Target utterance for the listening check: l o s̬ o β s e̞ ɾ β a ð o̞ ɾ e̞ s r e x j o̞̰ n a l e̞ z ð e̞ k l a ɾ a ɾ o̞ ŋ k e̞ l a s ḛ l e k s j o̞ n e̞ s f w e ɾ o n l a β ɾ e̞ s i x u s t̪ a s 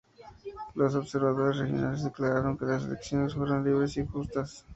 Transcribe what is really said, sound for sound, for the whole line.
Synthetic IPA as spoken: l o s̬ o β s e̞ ɾ β a ð o̞ ɾ e̞ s r e x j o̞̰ n a l e̞ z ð e̞ k l a ɾ a ɾ o̞ ŋ k e̞ l a s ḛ l e k s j o̞ n e̞ s f w e ɾ o n l i β ɾ e̞ s i x u s t̪ a s